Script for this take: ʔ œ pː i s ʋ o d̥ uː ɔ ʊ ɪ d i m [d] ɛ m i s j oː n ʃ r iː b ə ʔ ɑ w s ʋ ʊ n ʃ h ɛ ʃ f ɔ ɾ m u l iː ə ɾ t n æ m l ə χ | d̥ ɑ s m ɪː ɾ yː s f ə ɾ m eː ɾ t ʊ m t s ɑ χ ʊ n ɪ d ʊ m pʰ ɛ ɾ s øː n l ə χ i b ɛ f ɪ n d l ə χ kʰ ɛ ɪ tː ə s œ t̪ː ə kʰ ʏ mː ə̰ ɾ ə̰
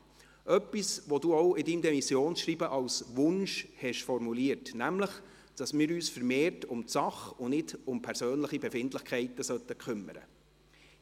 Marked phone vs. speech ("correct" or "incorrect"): correct